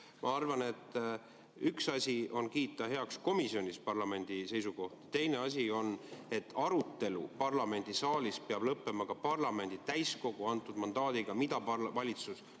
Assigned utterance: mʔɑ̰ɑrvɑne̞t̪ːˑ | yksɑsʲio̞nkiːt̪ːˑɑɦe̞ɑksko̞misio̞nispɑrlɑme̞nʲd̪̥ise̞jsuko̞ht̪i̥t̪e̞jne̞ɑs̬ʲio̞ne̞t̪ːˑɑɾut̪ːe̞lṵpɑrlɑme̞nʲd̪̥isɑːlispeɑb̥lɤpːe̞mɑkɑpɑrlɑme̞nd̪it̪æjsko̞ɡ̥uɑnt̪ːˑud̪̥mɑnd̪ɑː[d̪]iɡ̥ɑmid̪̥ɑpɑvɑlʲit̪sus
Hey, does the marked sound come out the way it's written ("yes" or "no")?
yes